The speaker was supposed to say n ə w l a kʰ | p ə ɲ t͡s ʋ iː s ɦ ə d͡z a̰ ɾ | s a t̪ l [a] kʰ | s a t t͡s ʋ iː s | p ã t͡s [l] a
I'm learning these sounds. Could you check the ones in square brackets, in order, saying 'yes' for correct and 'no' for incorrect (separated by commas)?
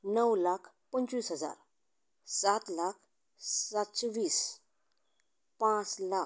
yes, yes